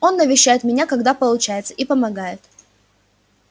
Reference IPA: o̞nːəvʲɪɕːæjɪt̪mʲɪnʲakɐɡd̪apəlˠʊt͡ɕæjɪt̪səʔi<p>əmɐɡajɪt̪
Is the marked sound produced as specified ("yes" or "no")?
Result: yes